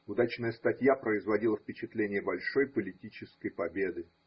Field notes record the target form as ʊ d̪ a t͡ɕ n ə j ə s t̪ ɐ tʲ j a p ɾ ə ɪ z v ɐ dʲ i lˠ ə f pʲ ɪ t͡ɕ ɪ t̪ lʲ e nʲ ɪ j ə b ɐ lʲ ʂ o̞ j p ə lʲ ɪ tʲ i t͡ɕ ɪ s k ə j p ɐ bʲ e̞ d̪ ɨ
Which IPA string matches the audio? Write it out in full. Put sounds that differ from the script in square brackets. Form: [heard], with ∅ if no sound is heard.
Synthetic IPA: ʊ d̪ a t͡ɕ n ə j ə s t̪ ɐ tʲ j a p ɾ ə ɪ z v ɐ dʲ i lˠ ə f pʲ ɪ t͡ɕ ɪ t̪ lʲ e nʲ ɪ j ə b ɐ lʲ ʂ o̞ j p ə lʲ ɪ tʲ i t͡ɕ ɪ s k ə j p ɐ bʲ e̞ d̪ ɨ